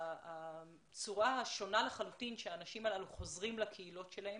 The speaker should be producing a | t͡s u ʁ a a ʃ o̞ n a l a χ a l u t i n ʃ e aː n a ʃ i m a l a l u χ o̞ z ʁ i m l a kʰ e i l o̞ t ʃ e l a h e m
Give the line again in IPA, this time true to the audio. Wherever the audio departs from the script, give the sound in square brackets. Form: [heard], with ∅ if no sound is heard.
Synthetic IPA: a | t͡s u ʁ a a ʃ o̞ n a l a χ a l u t i n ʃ e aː n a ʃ i m a l a l u χ o̞ z ʁ i m l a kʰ e i l o̞ t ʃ e l a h e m